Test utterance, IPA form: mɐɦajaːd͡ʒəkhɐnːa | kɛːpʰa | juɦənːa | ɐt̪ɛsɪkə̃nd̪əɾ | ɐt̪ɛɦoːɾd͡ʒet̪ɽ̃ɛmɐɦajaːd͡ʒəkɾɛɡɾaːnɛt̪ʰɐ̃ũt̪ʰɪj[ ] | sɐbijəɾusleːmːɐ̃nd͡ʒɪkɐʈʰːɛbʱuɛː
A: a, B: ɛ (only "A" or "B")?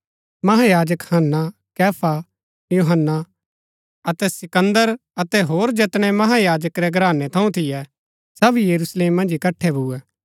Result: B